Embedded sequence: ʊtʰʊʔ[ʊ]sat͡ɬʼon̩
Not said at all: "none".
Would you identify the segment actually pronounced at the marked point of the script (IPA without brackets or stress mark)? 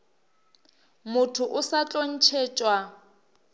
ʊ